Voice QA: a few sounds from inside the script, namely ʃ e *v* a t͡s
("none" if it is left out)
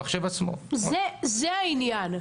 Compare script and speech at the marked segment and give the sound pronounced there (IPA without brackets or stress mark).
v